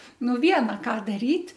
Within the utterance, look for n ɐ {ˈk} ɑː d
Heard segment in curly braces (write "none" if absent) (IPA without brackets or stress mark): k